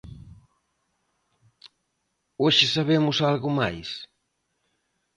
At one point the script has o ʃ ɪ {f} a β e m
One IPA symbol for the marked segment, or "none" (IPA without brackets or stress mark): s